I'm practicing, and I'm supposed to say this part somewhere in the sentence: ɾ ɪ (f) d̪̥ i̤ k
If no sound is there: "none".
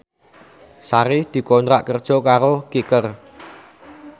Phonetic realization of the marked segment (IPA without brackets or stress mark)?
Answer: h